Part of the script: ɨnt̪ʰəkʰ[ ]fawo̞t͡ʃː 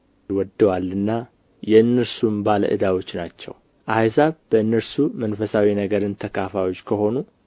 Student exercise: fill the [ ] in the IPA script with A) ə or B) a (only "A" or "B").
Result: B